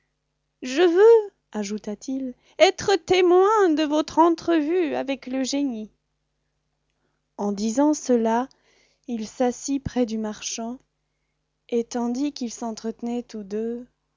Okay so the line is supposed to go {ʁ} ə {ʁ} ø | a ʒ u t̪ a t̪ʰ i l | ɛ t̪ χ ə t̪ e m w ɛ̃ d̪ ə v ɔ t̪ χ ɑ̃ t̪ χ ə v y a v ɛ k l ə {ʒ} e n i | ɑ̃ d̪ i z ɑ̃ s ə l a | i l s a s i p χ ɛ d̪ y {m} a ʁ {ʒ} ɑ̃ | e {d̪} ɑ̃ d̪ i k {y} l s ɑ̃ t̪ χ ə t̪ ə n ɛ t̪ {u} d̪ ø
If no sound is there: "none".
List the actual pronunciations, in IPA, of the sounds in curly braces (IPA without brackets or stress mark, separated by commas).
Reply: ʒ, v, ʒ, m, ʃ, t̪, i, u